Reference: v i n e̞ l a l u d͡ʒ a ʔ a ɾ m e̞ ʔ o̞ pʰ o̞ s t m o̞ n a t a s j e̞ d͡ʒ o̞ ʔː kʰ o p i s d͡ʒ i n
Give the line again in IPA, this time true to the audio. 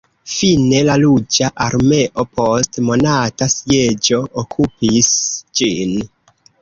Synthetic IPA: f i n e̞ l a l u d͡ʒ a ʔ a ɾ m e̞ ʔ o̞ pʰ o̞ s t m o̞ n a t a s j e̞ d͡ʒ o̞ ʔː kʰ u p i s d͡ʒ i n